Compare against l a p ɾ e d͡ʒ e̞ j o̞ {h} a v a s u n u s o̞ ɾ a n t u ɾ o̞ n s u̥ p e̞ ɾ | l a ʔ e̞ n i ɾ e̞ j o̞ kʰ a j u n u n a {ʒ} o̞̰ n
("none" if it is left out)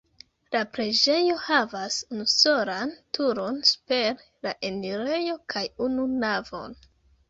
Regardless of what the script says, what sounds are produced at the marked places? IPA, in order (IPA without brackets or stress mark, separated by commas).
h, v